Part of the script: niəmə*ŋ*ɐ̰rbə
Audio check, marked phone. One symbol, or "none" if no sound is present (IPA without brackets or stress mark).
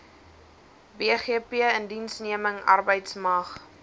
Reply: ŋ